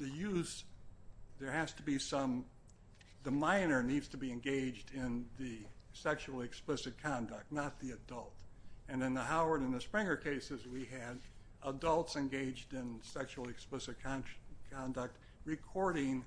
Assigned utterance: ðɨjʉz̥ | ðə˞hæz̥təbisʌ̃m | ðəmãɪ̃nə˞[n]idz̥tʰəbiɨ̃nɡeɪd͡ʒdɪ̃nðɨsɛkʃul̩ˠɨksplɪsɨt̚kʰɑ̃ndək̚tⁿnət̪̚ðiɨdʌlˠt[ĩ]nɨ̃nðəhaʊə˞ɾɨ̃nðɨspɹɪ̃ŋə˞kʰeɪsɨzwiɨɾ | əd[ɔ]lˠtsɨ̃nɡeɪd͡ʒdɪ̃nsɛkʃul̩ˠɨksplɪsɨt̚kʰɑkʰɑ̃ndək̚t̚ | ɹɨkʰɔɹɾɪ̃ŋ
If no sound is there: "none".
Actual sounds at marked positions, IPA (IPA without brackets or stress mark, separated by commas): n, ɨ̃, ʌ